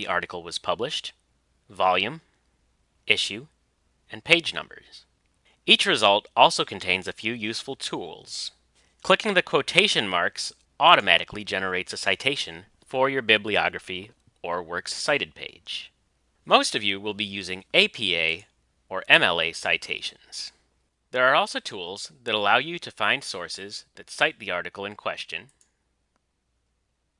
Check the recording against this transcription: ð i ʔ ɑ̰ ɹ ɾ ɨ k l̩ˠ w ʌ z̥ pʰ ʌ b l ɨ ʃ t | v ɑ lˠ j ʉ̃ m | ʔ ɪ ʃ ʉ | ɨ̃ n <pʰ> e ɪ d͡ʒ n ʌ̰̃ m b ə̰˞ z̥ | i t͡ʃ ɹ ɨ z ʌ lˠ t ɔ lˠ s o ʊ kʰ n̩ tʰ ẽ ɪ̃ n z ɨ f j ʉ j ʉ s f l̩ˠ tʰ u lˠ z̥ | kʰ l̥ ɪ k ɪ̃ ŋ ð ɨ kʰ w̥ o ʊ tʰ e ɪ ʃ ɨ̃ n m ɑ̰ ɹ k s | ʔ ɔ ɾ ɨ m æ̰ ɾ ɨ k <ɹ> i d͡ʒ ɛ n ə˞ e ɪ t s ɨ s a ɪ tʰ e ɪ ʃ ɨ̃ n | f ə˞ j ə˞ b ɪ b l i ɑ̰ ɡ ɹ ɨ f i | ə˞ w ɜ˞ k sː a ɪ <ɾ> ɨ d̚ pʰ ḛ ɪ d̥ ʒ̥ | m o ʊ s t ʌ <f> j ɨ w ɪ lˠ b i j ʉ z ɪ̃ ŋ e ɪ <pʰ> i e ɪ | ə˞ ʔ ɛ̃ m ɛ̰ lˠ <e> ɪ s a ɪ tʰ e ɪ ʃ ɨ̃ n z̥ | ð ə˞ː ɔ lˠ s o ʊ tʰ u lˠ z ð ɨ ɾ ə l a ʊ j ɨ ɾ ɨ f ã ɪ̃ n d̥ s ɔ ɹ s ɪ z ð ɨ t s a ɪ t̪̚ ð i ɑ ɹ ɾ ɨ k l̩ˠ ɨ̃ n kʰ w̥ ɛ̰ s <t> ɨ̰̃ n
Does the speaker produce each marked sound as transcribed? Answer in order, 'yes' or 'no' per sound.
yes, no, yes, no, yes, yes, no

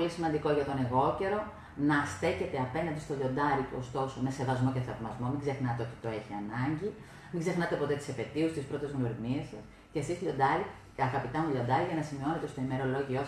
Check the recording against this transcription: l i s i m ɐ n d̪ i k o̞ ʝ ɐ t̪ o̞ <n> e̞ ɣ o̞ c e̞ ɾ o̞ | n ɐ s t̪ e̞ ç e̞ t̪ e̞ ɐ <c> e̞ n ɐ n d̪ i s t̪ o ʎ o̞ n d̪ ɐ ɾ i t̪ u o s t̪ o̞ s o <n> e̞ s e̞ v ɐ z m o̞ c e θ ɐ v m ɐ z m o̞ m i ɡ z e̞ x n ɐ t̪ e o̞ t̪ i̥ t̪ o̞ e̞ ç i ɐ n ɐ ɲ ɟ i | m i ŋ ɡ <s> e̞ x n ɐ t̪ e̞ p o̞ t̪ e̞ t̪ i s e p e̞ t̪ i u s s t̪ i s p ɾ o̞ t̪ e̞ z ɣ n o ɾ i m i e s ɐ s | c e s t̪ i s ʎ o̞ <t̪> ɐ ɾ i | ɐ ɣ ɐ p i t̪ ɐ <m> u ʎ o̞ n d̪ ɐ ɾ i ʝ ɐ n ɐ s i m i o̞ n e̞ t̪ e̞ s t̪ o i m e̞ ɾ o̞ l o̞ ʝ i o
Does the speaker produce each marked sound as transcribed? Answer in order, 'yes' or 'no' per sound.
yes, no, no, no, no, yes

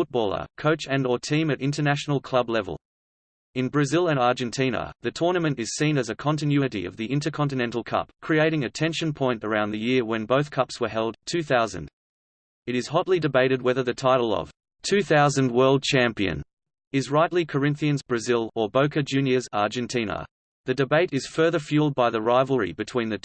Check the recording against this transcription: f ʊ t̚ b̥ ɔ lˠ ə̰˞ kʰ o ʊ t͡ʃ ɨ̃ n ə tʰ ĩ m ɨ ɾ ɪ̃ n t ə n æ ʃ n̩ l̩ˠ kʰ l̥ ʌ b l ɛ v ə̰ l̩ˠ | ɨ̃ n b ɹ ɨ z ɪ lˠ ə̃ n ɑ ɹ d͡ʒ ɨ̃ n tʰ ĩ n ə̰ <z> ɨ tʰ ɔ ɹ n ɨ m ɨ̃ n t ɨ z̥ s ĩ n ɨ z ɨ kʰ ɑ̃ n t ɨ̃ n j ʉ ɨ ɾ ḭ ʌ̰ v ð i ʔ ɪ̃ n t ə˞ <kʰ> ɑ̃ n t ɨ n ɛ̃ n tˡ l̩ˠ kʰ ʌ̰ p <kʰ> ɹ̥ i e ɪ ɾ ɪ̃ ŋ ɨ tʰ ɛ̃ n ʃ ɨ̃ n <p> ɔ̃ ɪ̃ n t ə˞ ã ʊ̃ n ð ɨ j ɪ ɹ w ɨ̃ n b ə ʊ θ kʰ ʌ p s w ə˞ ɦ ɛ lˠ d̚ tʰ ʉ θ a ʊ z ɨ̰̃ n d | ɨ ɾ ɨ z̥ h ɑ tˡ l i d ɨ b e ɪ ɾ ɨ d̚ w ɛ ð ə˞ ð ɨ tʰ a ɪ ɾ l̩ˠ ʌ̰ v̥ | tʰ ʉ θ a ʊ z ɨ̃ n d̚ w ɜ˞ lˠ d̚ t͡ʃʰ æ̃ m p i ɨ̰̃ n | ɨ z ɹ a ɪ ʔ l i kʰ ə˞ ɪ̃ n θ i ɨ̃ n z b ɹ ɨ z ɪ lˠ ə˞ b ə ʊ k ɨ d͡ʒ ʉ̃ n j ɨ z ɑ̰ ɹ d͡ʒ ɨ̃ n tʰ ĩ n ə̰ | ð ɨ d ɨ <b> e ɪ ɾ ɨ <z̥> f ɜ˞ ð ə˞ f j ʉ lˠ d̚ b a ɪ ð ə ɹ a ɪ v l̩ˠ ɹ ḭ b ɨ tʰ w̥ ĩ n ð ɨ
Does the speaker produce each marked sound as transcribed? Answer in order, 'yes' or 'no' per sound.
no, yes, yes, no, yes, yes

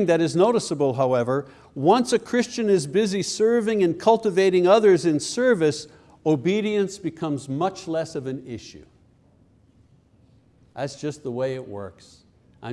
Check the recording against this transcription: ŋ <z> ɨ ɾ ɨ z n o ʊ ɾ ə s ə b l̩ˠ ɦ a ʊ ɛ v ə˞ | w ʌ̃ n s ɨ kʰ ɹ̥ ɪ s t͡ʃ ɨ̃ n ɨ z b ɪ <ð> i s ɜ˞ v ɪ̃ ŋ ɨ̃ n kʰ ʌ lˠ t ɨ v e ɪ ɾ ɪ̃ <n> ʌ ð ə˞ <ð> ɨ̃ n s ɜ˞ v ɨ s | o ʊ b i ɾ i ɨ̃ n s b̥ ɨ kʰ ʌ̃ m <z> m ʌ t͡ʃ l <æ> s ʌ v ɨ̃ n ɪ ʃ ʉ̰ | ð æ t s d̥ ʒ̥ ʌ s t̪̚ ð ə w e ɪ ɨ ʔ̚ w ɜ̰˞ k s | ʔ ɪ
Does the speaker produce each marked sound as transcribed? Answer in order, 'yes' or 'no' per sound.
no, no, no, no, yes, no

